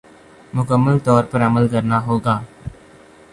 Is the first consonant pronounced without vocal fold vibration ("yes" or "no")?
no